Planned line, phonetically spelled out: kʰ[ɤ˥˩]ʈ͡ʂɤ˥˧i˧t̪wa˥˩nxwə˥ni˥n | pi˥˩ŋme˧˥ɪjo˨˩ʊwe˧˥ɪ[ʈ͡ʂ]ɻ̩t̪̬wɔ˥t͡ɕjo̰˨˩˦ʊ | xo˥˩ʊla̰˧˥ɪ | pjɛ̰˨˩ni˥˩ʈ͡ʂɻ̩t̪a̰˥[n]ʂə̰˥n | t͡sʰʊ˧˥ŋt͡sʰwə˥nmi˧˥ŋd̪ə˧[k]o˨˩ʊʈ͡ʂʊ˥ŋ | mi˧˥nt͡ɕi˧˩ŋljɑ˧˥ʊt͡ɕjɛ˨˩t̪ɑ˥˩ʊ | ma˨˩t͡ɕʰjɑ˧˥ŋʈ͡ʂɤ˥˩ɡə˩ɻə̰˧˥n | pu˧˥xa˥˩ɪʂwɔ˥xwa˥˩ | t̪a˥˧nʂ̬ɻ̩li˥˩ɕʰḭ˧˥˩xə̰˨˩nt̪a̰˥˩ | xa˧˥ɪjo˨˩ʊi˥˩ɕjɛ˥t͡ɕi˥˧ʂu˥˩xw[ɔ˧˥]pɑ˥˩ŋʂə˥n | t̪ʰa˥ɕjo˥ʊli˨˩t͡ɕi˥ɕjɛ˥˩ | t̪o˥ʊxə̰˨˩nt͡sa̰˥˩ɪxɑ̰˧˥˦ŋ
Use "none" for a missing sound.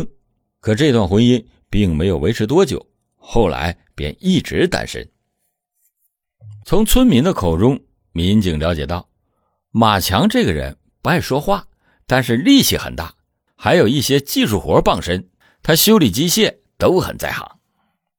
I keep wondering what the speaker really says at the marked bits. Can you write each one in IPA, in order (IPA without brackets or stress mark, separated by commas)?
ɤ˨˩, ʈ͡ʂʰ, n, kʰ, ɔ˧˥